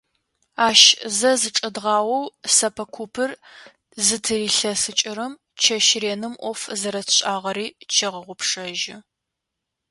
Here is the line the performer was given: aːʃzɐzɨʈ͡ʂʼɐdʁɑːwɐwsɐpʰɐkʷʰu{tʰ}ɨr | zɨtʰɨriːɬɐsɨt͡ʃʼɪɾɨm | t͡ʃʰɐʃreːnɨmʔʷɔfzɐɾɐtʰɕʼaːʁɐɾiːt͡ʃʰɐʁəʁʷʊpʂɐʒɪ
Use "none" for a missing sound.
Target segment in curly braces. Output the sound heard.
pʰ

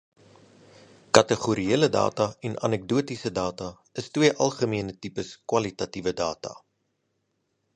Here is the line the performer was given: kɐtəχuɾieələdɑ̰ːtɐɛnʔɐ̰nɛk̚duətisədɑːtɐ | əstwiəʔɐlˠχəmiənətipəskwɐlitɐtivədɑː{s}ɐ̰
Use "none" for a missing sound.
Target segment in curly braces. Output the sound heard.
t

